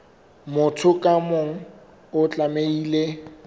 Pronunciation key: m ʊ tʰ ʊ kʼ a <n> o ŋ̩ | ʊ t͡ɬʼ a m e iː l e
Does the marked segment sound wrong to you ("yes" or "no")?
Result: yes